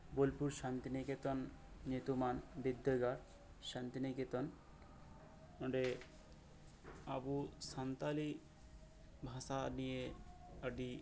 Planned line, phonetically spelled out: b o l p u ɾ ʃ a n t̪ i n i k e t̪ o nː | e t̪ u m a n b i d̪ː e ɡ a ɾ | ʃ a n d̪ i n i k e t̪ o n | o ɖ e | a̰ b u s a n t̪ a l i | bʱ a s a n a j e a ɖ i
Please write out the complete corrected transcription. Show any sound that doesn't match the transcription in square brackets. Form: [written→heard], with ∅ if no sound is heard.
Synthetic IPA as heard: b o l p u ɾ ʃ a n t̪ i n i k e t̪ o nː | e t̪ u m a n b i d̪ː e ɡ a ɾ | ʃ a n [d̪→t̪] i n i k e t̪ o n | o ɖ e | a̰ b u s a n t̪ a l i | bʱ a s a n [a→i] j e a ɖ i